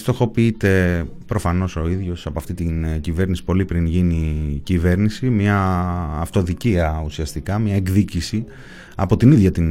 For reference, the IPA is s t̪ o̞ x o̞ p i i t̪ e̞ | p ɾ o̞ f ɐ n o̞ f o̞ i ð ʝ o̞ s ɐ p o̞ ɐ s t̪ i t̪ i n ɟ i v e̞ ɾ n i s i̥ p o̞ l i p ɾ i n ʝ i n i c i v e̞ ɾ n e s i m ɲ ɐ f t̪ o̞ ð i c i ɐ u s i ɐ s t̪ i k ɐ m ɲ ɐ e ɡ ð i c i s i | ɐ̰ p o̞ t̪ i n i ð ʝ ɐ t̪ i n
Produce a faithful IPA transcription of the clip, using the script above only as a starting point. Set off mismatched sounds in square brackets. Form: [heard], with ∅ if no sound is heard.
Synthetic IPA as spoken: s t̪ o̞ x o̞ p i i t̪ e̞ | p ɾ o̞ f ɐ n o̞ [s] o̞ i ð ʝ o̞ s ɐ p o̞ ɐ [f] t̪ i t̪ i n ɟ i v e̞ ɾ n i s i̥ p o̞ l i p ɾ i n ʝ i n i c i v e̞ ɾ n [i] s i m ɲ [ɐː] f t̪ o̞ ð i c i ɐ u s i ɐ s t̪ i k ɐ m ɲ ɐ e ɡ ð i c i s i | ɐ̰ p o̞ t̪ i n i ð ʝ ɐ t̪ i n